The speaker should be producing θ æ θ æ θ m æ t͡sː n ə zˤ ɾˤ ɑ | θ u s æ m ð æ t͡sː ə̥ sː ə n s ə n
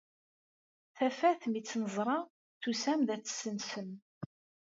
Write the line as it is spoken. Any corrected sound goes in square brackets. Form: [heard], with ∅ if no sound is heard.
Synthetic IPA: θ æ [f] æ θ m [i] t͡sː n ə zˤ ɾˤ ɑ | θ u s æ m ð æ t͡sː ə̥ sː ə n s ə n